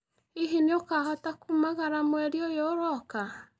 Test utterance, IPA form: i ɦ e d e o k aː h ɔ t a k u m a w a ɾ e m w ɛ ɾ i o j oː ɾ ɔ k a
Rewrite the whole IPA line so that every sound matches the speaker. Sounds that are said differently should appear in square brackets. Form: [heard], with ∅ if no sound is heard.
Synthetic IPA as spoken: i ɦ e [n] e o k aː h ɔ t a k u m a [ɣ] a ɾ [a] m w ɛ ɾ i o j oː ɾ ɔ k a